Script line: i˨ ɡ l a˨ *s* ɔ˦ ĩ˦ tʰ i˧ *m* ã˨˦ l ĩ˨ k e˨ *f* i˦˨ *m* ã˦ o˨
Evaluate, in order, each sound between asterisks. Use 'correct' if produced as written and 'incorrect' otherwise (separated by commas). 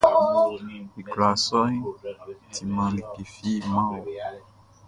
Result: correct, correct, correct, correct